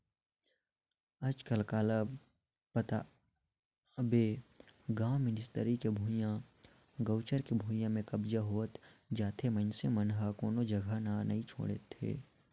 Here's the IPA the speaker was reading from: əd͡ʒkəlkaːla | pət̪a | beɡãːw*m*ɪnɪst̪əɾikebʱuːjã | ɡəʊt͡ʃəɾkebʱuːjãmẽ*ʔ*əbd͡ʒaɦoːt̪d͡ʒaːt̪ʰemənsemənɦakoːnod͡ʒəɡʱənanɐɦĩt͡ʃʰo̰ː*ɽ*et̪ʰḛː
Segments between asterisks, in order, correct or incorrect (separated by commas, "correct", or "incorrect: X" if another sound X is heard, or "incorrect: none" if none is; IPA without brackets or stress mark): correct, incorrect: k, correct